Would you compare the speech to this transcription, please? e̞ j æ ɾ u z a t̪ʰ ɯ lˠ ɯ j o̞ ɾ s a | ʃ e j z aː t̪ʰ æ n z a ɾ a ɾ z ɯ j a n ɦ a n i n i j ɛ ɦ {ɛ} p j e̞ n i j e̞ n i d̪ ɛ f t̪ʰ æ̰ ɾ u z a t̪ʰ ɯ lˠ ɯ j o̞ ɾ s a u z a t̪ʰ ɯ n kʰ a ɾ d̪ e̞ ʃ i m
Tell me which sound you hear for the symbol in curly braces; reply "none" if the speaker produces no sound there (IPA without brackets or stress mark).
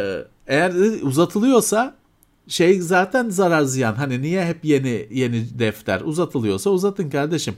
ɛ